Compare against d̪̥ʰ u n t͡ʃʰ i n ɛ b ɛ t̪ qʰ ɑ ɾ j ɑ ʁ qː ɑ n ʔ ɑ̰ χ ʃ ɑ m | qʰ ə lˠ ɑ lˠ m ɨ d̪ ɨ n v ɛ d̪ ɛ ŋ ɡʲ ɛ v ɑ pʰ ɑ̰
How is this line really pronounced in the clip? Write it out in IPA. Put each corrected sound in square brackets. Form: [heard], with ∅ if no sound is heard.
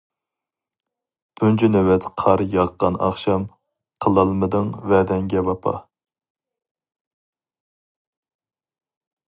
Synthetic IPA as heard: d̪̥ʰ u n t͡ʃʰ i n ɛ [w] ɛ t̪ qʰ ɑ ɾ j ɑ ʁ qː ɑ n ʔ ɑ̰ χ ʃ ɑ m | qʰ ə lˠ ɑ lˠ m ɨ d̪ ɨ [ŋ] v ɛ d̪ ɛ ŋ ɡʲ ɛ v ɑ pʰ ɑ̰